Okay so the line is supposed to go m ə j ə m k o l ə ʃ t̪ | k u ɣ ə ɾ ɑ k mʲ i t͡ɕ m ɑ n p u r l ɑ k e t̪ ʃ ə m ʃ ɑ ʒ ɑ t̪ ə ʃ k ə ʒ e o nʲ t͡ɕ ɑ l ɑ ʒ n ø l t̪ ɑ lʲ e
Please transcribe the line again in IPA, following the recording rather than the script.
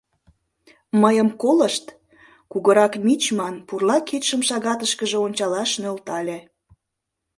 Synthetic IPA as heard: m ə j ə m k o l ə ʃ t̪ | k u ɣ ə ɾ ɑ k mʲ i t͡ɕ m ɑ n p u r l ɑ k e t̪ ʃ ə m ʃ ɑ ɣ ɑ t̪ ə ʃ k ə ʒ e o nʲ t͡ɕ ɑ l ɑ ʃ n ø l t̪ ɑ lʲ e